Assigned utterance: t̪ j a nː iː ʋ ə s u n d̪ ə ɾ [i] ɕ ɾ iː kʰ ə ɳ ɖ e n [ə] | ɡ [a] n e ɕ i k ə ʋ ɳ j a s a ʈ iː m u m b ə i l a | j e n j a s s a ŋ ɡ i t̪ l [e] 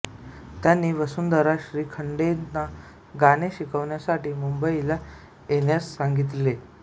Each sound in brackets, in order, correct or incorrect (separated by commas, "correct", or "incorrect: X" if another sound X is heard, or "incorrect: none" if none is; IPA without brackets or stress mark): incorrect: a, incorrect: a, correct, correct